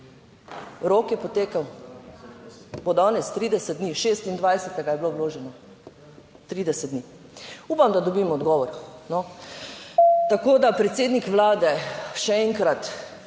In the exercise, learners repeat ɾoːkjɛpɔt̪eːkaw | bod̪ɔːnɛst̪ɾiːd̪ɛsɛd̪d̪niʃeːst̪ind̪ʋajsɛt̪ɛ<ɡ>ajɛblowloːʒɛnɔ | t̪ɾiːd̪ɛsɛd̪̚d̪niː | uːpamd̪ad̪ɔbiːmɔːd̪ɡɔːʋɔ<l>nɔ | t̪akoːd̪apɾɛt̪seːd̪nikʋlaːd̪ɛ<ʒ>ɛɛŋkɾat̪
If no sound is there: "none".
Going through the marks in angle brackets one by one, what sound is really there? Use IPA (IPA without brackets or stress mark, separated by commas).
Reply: ɡ, ɾ, ʃ